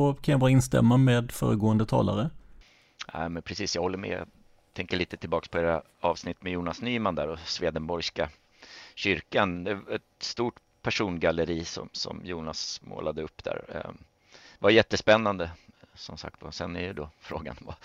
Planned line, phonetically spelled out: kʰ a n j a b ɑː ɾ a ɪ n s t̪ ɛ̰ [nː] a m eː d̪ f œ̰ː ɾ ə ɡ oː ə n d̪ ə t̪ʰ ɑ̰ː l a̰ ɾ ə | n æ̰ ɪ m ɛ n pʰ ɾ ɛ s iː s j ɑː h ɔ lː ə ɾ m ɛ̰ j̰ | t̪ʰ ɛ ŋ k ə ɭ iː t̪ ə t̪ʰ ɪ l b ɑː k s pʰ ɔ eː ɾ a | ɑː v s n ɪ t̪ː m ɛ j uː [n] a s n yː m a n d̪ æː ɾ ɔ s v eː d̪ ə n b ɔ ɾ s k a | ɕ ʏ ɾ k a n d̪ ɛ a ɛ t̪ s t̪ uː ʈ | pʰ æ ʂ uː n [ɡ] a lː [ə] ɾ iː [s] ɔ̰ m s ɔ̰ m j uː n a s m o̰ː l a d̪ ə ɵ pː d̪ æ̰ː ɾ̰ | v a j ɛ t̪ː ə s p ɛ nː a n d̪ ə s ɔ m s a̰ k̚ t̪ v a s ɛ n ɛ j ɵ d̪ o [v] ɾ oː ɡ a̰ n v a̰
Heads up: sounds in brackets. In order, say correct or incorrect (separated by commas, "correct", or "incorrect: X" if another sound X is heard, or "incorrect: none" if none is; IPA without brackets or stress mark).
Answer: incorrect: mː, correct, correct, correct, correct, incorrect: f